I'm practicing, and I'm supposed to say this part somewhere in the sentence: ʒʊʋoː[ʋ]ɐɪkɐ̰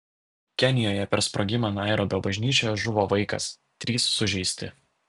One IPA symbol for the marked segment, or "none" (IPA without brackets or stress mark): ʋ